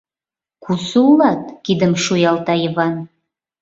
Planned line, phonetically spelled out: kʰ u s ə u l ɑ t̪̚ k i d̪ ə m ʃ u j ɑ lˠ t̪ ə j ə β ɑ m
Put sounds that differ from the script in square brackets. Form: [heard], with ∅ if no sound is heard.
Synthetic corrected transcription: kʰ u s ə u l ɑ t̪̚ k i d̪ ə m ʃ u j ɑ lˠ t̪ [ɑ] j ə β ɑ [n]